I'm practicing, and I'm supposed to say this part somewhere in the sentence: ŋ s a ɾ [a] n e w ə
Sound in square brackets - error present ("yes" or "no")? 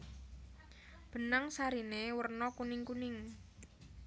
yes